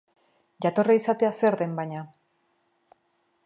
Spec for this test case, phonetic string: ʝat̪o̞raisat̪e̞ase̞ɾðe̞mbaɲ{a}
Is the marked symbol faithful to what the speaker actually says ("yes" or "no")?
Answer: yes